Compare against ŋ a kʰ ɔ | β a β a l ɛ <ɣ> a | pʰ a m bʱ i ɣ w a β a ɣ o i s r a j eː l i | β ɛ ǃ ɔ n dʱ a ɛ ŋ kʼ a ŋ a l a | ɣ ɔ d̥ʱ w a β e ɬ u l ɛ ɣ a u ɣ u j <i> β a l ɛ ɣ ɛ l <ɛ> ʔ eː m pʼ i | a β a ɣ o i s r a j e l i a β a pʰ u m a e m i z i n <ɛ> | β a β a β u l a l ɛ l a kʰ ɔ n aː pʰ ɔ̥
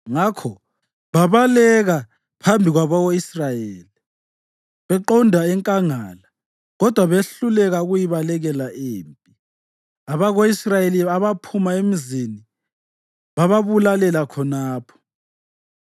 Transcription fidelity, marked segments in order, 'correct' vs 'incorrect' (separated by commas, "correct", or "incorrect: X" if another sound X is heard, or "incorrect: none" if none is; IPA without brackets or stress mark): correct, correct, incorrect: a, incorrect: i